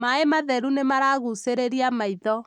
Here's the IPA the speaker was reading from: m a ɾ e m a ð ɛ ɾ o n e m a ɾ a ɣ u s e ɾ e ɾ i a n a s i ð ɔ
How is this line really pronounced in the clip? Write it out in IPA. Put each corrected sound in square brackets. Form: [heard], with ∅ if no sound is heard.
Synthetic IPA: m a [∅] e m a ð ɛ ɾ [u] n e m a ɾ a ɣ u s e ɾ e ɾ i a [m] a [∅] i ð ɔ